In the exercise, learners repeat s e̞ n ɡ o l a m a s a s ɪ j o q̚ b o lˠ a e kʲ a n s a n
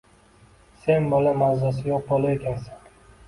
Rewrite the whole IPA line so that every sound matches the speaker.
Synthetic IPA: s e̞ n b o l a m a z a s ɪ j o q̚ b o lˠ a e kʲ a n s a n